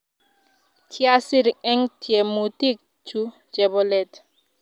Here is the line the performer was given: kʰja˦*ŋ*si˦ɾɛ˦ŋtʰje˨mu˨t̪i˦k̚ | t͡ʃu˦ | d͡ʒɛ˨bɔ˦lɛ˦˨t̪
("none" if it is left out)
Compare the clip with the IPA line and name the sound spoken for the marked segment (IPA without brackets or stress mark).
none